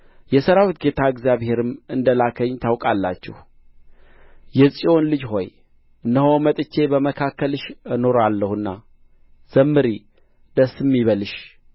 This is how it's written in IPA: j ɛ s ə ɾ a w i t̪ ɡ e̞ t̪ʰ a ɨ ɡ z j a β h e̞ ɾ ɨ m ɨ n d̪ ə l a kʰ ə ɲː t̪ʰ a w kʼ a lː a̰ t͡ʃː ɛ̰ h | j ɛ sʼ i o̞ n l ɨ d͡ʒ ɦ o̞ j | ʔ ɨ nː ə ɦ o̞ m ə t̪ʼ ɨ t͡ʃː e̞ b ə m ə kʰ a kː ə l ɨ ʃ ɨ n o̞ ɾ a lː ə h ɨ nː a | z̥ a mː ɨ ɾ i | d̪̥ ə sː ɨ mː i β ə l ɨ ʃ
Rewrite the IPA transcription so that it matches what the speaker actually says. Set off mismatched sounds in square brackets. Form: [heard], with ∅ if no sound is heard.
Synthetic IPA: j ɛ s ə ɾ a w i t̪ ɡ e̞ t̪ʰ a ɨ ɡ z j a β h e̞ ɾ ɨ m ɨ n d̪ ə l a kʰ ə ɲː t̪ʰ a w kʼ a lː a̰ t͡ʃː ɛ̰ h | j ɛ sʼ i o̞ n l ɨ d͡ʒ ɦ o̞ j | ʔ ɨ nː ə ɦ o̞ m ə t̪ʼ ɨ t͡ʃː e̞ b ə m ə kʰ a kː ə l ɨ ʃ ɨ n o̞ ɾ a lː ə h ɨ nː a | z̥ [ə] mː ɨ ɾ i | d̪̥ ə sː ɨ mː i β ə l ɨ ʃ